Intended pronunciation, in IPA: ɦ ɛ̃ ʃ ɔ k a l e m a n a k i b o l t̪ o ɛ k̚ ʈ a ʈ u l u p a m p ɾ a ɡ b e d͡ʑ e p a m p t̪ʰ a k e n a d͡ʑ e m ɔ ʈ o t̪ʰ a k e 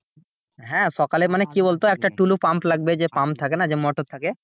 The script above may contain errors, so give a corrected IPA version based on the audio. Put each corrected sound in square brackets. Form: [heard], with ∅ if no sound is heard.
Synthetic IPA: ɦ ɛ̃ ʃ ɔ k a l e m a n [e] k i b o l t̪ o ɛ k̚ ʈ a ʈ u l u p a m p [l] a ɡ b e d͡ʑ e p a m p t̪ʰ a k e n a d͡ʑ e m ɔ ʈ o t̪ʰ a k e